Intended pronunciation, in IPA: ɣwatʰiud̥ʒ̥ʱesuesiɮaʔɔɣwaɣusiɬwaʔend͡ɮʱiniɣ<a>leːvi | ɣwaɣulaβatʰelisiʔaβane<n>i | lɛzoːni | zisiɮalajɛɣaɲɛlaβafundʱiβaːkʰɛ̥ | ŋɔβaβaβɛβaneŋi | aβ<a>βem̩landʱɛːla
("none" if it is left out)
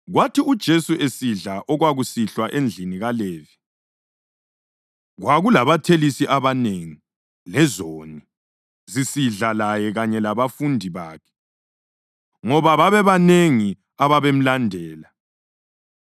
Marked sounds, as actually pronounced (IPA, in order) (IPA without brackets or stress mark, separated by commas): a, ŋ, a